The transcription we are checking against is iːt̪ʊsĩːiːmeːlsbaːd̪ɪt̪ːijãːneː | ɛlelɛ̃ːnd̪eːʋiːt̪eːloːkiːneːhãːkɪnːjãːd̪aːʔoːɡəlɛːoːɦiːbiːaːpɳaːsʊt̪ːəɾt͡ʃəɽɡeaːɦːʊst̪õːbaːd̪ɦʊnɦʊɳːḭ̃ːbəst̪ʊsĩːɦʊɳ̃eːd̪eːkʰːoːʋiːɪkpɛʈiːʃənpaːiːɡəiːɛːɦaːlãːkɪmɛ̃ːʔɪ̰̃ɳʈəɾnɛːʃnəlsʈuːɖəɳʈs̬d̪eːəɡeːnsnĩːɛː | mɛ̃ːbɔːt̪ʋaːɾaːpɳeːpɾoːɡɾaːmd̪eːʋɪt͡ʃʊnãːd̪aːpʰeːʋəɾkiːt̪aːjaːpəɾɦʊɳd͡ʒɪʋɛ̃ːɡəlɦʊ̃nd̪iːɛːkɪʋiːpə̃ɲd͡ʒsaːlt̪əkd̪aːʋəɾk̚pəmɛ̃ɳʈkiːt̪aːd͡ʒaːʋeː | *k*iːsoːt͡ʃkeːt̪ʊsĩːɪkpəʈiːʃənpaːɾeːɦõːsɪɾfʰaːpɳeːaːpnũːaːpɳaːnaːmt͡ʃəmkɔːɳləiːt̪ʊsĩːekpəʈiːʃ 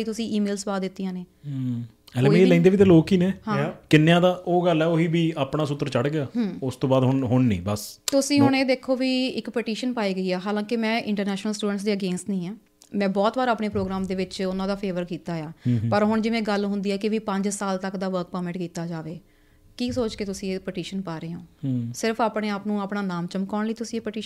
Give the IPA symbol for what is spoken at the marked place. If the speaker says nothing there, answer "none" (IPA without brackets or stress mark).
k